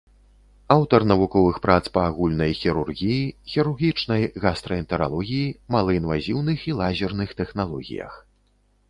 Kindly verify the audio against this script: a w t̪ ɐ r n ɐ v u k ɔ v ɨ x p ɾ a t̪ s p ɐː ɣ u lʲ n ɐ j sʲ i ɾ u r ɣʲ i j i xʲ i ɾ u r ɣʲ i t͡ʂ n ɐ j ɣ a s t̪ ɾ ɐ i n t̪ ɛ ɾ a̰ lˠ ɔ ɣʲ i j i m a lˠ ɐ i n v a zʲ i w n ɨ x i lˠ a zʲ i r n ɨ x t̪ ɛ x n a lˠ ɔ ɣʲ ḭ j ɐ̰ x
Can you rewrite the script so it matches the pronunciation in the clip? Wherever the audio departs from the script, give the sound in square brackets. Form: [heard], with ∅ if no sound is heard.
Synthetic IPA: a w t̪ ɐ r n ɐ v u k ɔ v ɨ x p ɾ a t̪ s p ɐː ɣ u lʲ n ɐ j [xʲ] i ɾ u r ɣʲ i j i xʲ i ɾ u r ɣʲ i t͡ʂ n ɐ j ɣ a s t̪ ɾ ɐ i n t̪ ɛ ɾ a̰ lˠ ɔ ɣʲ i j i m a lˠ ɐ i n v a zʲ i w n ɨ x i lˠ a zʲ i r n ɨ x t̪ ɛ x n a lˠ ɔ ɣʲ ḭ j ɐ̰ x